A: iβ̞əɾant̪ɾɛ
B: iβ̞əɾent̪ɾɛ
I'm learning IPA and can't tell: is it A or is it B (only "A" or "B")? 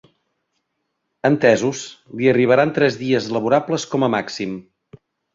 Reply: A